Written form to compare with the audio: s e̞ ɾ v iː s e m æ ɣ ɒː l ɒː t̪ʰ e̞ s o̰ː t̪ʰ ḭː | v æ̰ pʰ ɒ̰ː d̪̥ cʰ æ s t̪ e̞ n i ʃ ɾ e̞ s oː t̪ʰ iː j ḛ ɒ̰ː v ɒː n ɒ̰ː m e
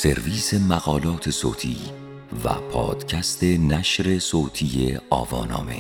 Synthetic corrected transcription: s e̞ ɾ v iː s e m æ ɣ ɒː l ɒː t̪ʰ e̞ s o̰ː t̪ʰ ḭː | v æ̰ pʰ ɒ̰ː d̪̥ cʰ æ s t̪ e̞ n æ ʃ ɾ e̞ s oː t̪ʰ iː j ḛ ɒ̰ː v ɒː n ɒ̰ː m e